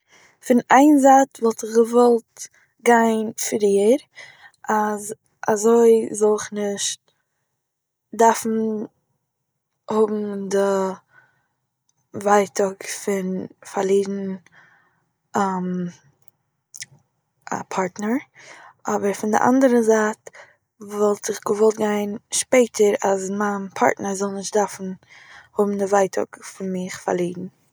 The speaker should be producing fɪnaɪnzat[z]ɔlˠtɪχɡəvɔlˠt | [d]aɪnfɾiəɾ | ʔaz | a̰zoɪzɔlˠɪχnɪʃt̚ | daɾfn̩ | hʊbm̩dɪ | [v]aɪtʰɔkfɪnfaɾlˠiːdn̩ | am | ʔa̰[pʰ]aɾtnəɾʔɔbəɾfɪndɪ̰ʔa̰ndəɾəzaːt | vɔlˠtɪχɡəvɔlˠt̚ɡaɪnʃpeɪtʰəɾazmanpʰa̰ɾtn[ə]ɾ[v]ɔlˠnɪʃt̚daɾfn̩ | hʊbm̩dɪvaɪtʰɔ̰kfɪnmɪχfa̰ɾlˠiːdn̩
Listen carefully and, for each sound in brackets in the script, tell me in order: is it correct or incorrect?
incorrect: v, incorrect: ɡ, correct, correct, correct, incorrect: z

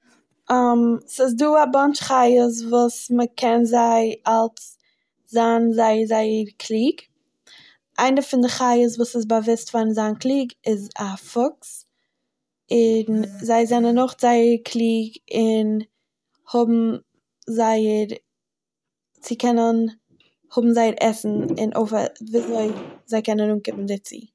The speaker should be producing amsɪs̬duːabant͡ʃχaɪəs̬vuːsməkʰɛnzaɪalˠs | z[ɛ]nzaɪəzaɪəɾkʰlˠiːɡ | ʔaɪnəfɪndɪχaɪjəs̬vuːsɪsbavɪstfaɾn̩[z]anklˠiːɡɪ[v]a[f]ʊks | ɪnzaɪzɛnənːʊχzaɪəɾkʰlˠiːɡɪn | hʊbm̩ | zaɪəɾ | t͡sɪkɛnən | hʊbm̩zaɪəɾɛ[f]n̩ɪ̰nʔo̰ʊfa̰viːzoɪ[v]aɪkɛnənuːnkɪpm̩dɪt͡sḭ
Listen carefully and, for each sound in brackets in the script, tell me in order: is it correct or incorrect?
incorrect: a, correct, incorrect: z, correct, incorrect: s, incorrect: z

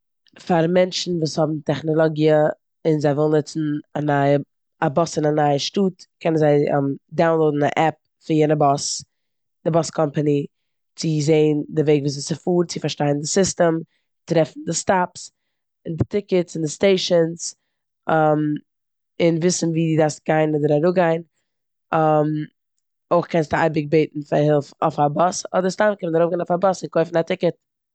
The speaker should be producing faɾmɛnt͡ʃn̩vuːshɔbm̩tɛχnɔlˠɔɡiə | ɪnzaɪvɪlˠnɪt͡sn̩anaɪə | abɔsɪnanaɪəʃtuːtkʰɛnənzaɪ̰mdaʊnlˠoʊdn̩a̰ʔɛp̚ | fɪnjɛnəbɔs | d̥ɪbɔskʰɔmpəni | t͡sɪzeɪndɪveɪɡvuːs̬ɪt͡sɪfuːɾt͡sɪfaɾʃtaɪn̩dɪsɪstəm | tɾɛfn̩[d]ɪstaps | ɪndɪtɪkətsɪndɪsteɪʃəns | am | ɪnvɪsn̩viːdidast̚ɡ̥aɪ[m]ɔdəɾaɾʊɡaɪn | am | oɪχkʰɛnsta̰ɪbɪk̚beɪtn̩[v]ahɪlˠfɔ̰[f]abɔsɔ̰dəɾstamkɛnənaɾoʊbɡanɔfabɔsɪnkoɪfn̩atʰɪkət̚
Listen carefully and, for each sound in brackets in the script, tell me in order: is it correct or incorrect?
correct, incorrect: n, incorrect: f, correct

